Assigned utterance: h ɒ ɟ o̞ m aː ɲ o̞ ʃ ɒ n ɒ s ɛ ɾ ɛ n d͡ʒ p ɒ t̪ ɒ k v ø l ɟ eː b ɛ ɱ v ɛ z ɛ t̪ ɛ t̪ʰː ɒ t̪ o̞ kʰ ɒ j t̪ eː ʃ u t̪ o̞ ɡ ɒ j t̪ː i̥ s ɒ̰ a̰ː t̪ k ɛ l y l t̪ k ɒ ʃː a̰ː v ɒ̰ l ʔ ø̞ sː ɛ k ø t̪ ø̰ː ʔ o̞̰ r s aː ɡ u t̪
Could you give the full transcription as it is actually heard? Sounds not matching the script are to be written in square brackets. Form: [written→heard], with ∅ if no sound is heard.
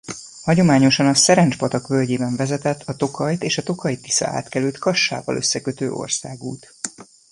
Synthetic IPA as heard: h ɒ ɟ o̞ m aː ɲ o̞ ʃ ɒ n ɒ s ɛ ɾ ɛ n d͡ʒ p ɒ t̪ ɒ k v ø l ɟ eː b ɛ ɱ v ɛ z ɛ t̪ ɛ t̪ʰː ɒ t̪ o̞ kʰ ɒ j t̪ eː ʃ [u→ɒ] t̪ o̞ [ɡ→k] ɒ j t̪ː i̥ s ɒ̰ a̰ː t̪ k ɛ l y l t̪ k ɒ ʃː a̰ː v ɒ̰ l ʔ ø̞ sː ɛ k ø t̪ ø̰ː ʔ o̞̰ r s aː ɡ [u→uː] t̪

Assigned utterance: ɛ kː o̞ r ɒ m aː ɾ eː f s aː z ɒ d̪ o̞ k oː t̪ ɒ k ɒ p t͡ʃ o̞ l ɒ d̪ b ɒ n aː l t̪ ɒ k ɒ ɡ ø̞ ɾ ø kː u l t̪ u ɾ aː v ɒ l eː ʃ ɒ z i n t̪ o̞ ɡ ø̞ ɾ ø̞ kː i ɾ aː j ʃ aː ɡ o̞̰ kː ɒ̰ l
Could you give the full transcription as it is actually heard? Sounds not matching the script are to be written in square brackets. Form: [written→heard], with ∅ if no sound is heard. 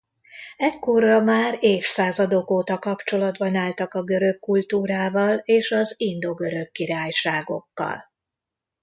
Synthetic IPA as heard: ɛ kː o̞ r ɒ m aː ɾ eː f s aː z ɒ d̪ o̞ k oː t̪ ɒ k ɒ p t͡ʃ o̞ l ɒ d̪ b ɒ n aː l t̪ ɒ k ɒ ɡ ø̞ ɾ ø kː u l t̪ [u→uː] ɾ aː v ɒ l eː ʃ ɒ z i n [t̪→d̪] o̞ ɡ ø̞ ɾ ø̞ kː i ɾ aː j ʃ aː ɡ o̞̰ kː ɒ̰ l

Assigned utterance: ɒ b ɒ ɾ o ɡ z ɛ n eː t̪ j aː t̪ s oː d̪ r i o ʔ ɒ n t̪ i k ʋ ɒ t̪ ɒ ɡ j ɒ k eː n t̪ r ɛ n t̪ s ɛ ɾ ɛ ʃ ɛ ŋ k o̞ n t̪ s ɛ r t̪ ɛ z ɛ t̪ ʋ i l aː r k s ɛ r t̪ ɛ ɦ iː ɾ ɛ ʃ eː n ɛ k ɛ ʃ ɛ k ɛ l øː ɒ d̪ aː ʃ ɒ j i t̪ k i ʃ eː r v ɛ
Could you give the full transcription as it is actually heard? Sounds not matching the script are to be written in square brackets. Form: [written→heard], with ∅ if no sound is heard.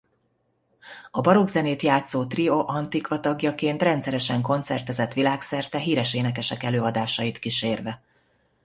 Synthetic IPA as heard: ɒ b ɒ ɾ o ɡ z ɛ n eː t̪ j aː t̪ s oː [d̪→t̪] r i o ʔ ɒ n t̪ i k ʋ ɒ t̪ ɒ ɡ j ɒ k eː n t̪ r ɛ n t̪ s ɛ ɾ ɛ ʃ ɛ ŋ k o̞ n t̪ s ɛ r t̪ ɛ z ɛ t̪ ʋ i l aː [r→∅] k s ɛ r t̪ ɛ ɦ iː ɾ ɛ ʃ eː n ɛ k ɛ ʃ ɛ k ɛ l øː ɒ d̪ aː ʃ ɒ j i t̪ k i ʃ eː r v ɛ

